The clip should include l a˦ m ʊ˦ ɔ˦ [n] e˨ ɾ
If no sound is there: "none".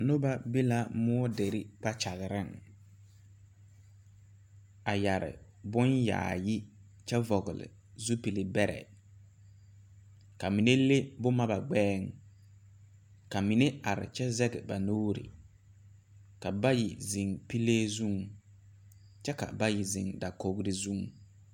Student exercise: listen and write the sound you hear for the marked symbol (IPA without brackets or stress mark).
d